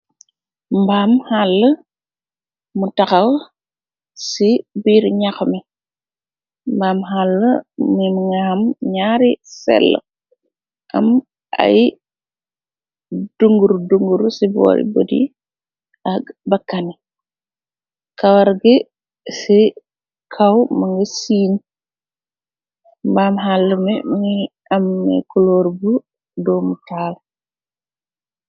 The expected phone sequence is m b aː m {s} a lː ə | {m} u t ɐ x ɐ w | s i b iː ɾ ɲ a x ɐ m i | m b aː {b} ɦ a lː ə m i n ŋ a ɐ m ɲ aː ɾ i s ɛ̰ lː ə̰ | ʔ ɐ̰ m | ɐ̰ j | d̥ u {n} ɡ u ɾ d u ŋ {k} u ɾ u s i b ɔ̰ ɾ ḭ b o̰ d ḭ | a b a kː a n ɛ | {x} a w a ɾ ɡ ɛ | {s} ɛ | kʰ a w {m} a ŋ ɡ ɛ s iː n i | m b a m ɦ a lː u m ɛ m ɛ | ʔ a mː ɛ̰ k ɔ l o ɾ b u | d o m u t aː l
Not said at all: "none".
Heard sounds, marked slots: h, m, m, ŋ, ɡ, k, s, m

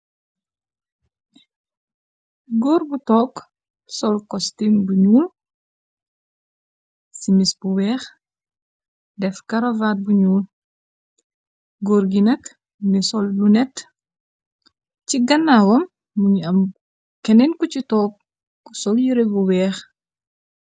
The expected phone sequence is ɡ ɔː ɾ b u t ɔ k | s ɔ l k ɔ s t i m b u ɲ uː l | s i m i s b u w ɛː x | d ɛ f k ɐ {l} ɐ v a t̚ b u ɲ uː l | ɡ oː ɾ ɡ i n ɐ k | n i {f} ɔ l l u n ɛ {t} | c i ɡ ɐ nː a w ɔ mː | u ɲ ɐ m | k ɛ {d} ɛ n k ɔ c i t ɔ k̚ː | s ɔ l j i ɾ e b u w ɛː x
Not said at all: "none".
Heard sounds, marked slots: ɾ, s, t, n

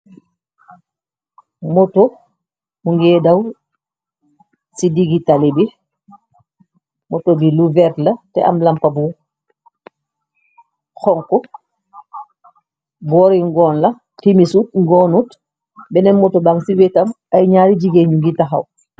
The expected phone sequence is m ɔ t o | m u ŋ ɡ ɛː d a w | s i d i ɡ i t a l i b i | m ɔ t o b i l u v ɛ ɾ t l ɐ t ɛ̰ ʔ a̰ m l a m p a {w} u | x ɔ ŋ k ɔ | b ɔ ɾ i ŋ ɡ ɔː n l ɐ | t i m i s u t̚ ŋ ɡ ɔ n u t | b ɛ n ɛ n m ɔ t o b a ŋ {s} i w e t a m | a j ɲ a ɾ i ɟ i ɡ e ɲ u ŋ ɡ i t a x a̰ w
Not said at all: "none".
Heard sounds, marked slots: b, s

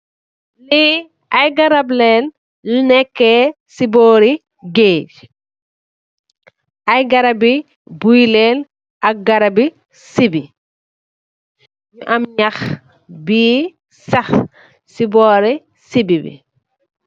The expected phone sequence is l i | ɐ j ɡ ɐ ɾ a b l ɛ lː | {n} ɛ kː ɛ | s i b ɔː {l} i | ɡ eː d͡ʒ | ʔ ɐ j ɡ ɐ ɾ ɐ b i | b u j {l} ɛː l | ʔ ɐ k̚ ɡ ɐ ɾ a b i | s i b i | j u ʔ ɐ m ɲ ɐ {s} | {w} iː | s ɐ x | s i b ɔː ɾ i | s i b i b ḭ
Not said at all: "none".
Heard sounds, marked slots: n, ɾ, l, x, b

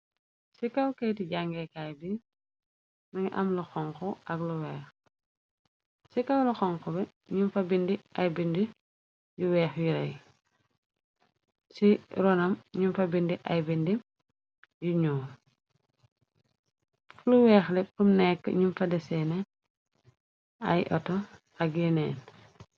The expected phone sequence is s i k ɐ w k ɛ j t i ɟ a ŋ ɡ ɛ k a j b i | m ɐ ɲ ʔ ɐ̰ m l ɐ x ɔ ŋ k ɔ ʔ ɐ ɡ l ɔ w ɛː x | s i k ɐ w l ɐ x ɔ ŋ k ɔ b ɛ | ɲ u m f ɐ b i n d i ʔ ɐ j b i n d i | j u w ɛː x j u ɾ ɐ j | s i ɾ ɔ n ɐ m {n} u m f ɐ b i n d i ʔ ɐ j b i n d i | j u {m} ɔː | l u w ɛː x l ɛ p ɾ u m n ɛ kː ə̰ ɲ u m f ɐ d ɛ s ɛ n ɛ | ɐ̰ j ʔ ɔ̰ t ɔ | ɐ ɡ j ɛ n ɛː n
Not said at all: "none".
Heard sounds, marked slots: ɲ, ɲ

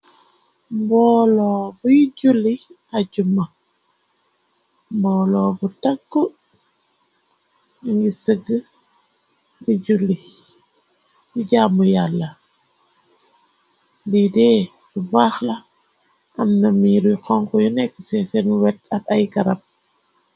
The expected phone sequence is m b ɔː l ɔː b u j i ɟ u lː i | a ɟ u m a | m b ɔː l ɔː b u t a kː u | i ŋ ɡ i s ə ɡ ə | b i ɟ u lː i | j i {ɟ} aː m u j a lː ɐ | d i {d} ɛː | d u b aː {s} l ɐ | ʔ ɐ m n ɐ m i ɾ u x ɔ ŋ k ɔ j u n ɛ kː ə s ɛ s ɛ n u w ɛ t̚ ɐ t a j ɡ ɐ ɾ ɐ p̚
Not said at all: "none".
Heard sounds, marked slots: ɟ, d, x

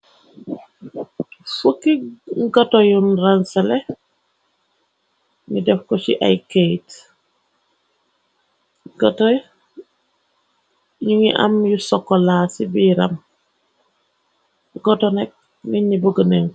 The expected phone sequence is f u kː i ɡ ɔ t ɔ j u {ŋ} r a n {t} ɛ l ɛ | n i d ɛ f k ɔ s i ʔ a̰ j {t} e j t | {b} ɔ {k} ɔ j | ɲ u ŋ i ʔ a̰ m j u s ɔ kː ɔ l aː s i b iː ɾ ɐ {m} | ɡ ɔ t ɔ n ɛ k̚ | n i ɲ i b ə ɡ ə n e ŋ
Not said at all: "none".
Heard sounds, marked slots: n, s, k, ɡ, t, m

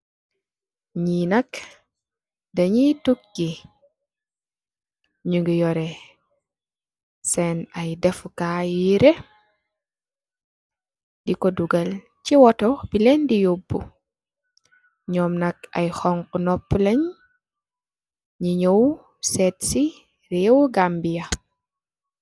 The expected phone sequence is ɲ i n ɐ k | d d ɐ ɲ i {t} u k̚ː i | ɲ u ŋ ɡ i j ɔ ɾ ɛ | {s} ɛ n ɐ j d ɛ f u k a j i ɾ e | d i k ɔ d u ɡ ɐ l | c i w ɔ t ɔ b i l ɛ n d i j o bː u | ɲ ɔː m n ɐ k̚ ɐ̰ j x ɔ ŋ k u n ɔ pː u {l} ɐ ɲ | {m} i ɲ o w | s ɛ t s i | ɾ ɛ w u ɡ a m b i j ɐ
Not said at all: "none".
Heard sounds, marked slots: t, s, l, ɲ

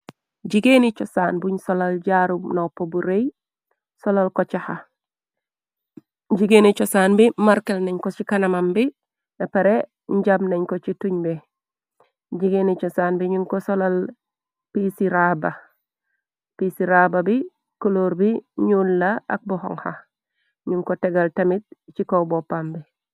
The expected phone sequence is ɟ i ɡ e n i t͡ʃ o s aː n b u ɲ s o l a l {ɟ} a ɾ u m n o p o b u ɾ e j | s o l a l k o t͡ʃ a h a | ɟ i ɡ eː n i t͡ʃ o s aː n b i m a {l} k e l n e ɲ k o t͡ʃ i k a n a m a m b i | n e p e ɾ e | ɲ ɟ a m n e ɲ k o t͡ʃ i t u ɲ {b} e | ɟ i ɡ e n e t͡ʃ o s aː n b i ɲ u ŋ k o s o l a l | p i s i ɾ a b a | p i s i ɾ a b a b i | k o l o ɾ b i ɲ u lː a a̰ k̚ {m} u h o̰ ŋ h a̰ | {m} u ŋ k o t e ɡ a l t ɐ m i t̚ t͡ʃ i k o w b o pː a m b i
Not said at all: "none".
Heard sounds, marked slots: ɟ, ɾ, b, b, ɲ

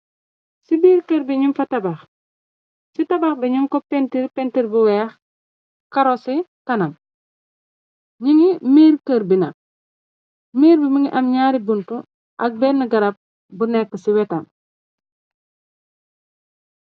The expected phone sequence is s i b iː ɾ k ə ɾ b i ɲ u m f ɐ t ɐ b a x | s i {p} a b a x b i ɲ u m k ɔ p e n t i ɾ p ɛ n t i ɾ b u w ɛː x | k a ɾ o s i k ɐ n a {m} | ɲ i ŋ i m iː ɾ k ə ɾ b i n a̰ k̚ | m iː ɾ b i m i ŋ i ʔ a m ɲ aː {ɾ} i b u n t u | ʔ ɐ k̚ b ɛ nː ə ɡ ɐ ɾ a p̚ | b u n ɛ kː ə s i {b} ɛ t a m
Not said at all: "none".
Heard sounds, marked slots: t, m, ɾ, w

